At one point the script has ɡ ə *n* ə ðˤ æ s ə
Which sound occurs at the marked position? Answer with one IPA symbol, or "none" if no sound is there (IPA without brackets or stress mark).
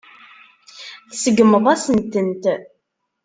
m